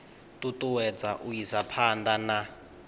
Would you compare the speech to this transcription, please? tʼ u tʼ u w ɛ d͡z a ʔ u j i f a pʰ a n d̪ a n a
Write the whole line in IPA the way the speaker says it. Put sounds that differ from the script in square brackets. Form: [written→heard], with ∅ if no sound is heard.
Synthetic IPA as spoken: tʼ u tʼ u w ɛ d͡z a ʔ u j i [f→s] a pʰ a n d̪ a n a